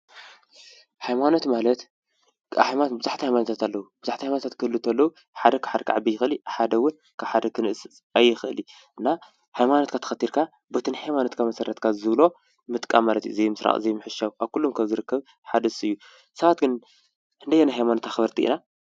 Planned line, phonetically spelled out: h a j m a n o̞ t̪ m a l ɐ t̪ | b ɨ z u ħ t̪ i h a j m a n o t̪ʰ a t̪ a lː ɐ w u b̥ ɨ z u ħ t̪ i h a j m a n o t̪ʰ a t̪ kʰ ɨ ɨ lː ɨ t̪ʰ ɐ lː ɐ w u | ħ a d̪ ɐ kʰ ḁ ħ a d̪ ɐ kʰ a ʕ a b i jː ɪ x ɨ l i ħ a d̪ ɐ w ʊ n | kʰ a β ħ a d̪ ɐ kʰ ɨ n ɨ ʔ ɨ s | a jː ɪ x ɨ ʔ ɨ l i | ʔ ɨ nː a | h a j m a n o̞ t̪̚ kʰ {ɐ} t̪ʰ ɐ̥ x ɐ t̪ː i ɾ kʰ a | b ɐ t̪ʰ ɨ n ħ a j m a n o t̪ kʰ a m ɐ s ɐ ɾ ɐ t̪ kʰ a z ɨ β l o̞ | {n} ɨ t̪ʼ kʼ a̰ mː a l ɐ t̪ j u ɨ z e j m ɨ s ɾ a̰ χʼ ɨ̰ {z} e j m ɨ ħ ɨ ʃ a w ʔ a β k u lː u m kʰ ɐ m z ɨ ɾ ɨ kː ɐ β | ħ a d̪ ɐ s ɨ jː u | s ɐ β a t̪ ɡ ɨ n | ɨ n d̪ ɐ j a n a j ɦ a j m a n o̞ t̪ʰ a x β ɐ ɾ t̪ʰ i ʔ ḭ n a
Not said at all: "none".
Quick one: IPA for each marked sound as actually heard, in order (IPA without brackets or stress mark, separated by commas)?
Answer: a, m, z